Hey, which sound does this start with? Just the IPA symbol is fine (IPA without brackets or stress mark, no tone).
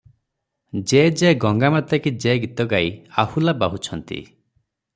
d͡ʒ